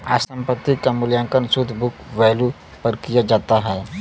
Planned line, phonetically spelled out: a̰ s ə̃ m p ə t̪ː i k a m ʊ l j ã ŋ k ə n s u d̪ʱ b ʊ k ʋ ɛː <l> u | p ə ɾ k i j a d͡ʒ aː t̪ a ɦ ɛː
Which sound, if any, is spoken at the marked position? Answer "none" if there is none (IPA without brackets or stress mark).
l